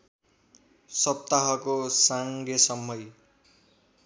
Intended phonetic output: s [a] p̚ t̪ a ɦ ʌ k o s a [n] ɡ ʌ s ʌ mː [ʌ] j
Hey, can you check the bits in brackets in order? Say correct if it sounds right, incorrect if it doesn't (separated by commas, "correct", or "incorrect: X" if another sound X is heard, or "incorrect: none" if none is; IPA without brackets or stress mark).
incorrect: ʌ, incorrect: ŋ, correct